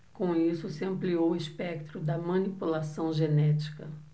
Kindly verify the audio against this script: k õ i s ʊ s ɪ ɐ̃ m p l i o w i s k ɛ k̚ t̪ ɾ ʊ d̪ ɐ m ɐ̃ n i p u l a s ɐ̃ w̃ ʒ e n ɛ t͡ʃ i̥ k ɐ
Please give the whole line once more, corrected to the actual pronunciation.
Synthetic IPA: k õ i s ʊ s ɪ ɐ̃ m p l i o w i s p ɛ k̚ t̪ ɾ ʊ d̪ ɐ m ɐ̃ n i p u l a s ɐ̃ w̃ ʒ e n ɛ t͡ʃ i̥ k ɐ